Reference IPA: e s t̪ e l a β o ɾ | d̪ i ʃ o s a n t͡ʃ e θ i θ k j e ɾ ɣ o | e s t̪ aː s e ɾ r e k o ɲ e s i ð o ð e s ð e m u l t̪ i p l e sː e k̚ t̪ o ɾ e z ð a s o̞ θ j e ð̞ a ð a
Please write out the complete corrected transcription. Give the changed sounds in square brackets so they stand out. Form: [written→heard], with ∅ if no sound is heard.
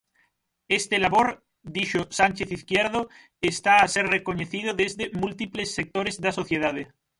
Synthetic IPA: e s t̪ e l a β o ɾ | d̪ i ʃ o s a n t͡ʃ e θ i θ k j e ɾ [ɣ→ð] o | e s t̪ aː s e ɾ r e k o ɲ e [s→θ] i ð o ð e [s→z] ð e m u l t̪ i p l e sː e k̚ t̪ o ɾ e z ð a s o̞ θ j e ð̞ a ð [a→e]